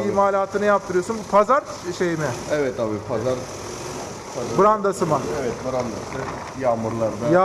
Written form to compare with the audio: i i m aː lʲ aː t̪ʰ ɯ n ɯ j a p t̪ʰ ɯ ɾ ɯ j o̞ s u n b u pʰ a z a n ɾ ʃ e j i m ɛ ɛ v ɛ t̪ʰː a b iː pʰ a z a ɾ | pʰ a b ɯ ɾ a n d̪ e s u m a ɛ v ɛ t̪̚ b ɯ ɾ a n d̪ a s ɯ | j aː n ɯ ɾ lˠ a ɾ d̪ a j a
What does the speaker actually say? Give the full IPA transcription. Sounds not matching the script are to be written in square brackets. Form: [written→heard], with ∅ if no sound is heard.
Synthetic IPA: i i m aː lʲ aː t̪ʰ ɯ n ɯ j a p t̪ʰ ɯ ɾ ɯ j o̞ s u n b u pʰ a z a [n→∅] ɾ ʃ e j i m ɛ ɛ v ɛ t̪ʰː a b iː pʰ a z a ɾ | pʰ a b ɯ ɾ a n d̪ [e→a] s [u→ɯ] m a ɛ v ɛ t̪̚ b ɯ ɾ a n d̪ a s ɯ | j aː [n→m] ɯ ɾ lˠ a ɾ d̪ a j a